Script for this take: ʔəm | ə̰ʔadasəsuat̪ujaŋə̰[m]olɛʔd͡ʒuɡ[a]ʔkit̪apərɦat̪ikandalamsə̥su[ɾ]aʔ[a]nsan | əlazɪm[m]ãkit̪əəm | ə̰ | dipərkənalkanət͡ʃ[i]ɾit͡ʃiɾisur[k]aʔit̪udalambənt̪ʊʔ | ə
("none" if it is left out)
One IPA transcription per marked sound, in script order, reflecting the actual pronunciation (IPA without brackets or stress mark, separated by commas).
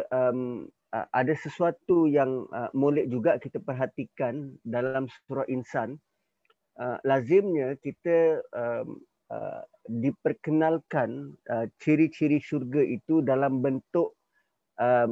m, a, ɾ, i, ɲ, i, ɡ